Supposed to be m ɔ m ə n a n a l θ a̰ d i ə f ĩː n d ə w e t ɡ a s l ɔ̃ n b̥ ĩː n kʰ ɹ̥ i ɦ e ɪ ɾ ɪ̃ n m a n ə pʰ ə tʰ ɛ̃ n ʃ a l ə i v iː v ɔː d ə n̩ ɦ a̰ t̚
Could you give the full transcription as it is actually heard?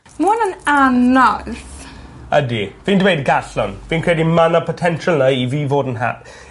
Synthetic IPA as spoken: m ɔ n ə n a n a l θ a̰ d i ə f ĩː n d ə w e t ɡ a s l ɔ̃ n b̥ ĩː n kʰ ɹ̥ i e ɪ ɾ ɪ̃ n m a n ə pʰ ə tʰ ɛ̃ n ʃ ə l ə i v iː v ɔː d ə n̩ ɦ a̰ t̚